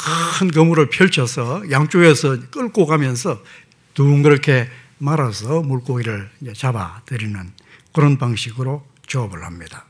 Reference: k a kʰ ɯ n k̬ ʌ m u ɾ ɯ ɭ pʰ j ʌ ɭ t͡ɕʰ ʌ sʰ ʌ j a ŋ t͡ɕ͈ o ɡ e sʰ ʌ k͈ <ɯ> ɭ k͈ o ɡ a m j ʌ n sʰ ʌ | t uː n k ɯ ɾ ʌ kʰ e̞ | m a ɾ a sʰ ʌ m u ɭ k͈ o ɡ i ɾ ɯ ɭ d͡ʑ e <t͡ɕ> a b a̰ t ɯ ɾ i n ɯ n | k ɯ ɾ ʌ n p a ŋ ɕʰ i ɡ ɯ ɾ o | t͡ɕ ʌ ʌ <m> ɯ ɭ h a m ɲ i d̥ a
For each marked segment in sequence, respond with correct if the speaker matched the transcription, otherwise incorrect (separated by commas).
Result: correct, correct, incorrect